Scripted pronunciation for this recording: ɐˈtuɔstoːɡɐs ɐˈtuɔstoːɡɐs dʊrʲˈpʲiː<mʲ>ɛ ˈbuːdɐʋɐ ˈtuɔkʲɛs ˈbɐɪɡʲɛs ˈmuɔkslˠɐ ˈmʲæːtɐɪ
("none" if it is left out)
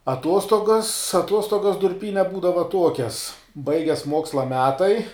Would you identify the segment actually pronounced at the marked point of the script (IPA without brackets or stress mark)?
nʲ